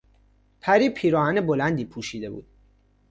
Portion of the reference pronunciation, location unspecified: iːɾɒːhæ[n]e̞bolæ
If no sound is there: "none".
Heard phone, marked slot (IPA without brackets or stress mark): n